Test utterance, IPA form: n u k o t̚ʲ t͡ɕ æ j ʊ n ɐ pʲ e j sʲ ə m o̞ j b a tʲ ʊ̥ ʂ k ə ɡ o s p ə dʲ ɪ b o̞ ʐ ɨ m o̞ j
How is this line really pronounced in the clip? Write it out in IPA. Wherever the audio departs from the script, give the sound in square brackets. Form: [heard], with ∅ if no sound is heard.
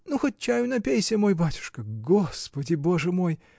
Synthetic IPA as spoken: n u [x] o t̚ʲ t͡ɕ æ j ʊ n ɐ pʲ e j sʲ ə m o̞ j b a tʲ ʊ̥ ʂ k ə ɡ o s p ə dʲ ɪ b o̞ ʐ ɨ m o̞ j